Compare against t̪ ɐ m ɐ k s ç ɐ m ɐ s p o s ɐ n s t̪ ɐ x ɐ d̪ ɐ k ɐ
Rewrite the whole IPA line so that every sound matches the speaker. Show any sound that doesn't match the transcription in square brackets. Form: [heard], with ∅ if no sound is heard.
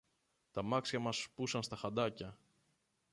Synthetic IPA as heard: t̪ ɐ m ɐ k s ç ɐ m ɐ s p [u] s ɐ n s t̪ ɐ x ɐ d̪ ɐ [c] ɐ